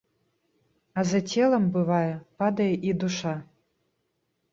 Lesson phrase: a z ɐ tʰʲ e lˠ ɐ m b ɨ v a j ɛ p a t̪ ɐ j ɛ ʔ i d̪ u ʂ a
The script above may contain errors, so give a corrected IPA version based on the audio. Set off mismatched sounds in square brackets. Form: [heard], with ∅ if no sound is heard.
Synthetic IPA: a z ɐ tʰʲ e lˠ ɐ m b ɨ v a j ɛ p a [d̪] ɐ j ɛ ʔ i d̪ u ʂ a